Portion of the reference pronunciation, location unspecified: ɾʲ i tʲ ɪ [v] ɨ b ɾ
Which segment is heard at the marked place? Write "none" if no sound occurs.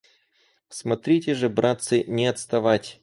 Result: ʐ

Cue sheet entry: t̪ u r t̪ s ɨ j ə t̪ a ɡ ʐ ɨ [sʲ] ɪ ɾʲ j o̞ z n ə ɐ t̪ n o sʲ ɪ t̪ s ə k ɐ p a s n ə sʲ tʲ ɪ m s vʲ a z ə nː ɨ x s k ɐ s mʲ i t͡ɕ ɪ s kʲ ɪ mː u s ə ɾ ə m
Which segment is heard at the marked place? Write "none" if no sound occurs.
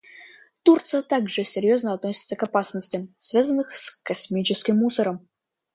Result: sʲ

